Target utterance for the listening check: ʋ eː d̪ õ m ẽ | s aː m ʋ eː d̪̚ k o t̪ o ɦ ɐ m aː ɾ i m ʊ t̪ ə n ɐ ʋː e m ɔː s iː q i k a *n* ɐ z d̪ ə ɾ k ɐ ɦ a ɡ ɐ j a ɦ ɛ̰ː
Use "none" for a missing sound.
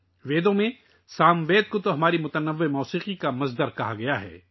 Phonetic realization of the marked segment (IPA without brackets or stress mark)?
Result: m